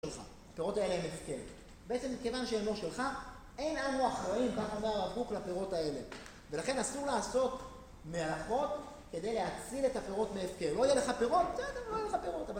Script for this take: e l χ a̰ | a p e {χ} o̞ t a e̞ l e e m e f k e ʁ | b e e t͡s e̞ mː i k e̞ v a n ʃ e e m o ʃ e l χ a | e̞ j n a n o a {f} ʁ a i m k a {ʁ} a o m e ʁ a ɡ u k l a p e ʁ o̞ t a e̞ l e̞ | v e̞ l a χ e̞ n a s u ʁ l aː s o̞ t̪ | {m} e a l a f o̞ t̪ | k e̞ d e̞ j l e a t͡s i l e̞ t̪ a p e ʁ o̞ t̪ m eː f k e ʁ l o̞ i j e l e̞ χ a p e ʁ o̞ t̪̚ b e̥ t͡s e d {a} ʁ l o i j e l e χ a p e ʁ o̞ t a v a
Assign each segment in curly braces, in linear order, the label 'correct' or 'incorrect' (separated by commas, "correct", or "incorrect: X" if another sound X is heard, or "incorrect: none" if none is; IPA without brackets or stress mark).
incorrect: ʁ, incorrect: χ, incorrect: χ, correct, incorrect: e